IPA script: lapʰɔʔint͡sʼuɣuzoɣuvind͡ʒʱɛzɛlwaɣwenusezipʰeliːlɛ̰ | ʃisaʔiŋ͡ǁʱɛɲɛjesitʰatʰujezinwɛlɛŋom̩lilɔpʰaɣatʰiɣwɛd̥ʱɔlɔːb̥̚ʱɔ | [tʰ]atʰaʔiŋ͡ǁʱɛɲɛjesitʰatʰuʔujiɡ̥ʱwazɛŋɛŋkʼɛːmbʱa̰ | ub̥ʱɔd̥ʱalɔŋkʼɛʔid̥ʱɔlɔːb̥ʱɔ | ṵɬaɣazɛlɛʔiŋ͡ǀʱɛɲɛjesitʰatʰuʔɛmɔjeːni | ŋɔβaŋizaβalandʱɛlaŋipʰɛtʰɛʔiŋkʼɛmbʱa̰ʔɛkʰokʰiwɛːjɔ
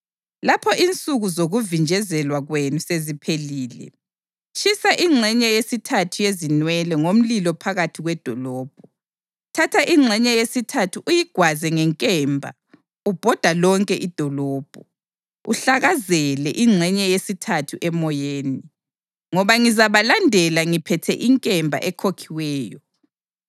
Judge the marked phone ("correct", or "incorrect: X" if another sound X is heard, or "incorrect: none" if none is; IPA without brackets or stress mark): correct